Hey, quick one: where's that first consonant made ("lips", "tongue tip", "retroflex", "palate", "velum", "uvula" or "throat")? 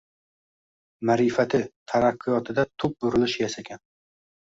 lips